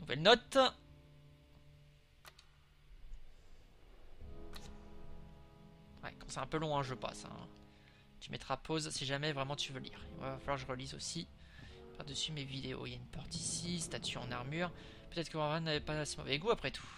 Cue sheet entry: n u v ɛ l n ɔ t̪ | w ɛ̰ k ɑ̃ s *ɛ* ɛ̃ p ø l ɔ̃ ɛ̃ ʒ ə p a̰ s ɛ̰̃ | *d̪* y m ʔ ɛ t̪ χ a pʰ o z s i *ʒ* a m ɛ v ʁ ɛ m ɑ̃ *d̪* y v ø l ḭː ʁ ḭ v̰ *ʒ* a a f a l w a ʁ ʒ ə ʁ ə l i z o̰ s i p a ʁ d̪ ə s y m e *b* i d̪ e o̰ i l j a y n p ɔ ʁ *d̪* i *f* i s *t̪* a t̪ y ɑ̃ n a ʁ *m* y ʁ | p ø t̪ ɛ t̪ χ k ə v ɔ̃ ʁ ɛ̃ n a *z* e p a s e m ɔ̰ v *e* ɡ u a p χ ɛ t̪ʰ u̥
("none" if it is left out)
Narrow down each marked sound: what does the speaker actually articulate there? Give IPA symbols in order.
ɛ, t̪, ʒ, t̪, v, v, t̪, s, t̪, m, v, ɛ

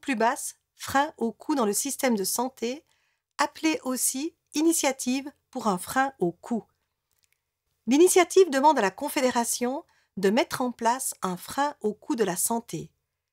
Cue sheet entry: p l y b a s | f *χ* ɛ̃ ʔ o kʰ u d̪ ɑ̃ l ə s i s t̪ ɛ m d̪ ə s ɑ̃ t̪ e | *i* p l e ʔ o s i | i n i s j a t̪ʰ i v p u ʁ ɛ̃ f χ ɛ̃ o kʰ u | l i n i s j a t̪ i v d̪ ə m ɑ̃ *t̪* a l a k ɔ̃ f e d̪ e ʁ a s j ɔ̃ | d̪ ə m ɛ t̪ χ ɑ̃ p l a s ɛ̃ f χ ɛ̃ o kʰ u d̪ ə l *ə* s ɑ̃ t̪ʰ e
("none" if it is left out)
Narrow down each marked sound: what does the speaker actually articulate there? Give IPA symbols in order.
χ, a, d̪, a

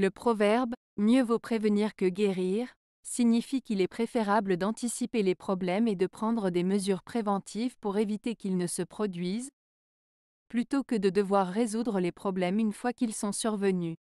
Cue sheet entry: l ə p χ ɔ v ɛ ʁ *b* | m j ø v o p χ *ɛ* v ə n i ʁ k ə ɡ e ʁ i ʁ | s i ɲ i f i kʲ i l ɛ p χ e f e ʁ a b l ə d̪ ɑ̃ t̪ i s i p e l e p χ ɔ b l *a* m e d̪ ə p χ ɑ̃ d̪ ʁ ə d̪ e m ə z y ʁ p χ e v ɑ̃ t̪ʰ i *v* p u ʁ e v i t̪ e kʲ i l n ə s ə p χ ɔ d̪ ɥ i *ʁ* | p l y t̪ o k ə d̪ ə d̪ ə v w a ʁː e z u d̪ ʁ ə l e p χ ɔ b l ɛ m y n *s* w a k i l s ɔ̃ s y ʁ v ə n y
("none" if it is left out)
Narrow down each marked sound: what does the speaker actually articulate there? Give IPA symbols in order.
b, e, ɛ, v, z, f

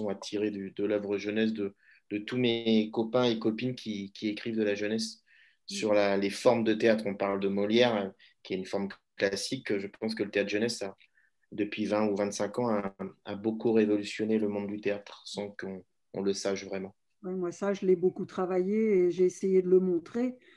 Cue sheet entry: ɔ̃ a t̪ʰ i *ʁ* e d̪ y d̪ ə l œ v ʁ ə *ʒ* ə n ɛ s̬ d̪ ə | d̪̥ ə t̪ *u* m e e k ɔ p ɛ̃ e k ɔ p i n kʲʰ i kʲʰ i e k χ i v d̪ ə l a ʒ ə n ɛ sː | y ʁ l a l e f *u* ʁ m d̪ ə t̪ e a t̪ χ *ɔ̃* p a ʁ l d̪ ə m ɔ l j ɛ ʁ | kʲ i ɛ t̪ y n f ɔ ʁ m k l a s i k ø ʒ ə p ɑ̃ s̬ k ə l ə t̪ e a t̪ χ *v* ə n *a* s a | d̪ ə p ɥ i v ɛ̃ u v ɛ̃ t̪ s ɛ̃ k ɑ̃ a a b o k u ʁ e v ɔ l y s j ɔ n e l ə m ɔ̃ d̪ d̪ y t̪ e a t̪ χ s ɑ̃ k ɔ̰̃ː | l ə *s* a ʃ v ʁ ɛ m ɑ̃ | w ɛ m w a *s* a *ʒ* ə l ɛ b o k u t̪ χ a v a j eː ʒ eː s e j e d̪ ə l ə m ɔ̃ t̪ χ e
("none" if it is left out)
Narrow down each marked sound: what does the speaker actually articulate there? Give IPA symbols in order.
ʁ, ʒ, u, ɔ, ɔ̃, ʒ, ɛ, s, s, ʒ

